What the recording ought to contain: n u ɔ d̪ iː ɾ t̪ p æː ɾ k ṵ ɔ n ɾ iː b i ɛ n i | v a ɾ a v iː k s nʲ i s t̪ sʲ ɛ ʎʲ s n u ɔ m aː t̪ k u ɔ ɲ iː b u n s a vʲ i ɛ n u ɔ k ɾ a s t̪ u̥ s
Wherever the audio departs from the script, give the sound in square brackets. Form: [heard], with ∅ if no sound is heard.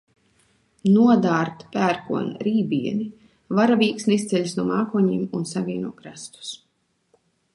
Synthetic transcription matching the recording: n u ɔ d̪ [aː] ɾ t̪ p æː ɾ k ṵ ɔ n ɾ iː b i ɛ n i | v a ɾ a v iː k s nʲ i s t̪ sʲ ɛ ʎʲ s n u ɔ m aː [∅] k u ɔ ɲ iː [m] u n s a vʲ i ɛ n u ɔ k ɾ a s t̪ u̥ s